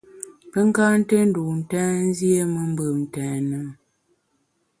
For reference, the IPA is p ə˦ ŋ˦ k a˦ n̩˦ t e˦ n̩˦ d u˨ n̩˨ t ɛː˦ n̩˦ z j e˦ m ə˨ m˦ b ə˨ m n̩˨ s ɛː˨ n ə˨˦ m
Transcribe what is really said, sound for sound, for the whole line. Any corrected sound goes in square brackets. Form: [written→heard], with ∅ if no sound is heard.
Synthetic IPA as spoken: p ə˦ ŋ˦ k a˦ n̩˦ t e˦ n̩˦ d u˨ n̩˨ t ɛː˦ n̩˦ z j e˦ m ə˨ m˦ b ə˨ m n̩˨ [s→t] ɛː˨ n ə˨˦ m